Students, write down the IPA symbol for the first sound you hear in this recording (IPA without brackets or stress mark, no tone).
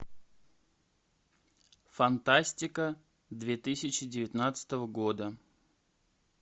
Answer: f